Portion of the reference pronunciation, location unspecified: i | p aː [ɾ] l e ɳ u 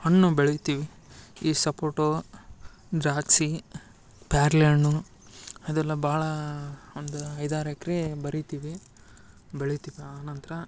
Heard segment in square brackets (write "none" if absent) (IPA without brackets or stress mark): ɾ